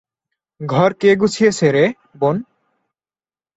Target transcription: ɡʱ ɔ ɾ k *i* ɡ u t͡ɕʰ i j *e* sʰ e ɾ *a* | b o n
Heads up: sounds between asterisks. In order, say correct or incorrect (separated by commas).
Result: incorrect, correct, incorrect